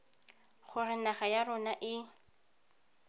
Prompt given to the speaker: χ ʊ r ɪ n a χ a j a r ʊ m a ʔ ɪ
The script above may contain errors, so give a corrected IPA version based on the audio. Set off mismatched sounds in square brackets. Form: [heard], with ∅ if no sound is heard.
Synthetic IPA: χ ʊ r ɪ n a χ a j a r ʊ [n] a ʔ ɪ

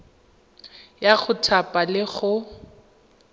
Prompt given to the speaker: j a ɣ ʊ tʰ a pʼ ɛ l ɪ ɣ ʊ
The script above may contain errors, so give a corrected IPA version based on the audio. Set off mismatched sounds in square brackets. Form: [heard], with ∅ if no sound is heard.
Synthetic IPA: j a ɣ ʊ tʰ a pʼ [a] l ɪ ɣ ʊ

